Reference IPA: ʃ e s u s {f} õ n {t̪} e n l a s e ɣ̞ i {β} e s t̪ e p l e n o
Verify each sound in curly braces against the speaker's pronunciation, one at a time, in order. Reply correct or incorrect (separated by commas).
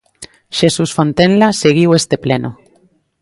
correct, correct, incorrect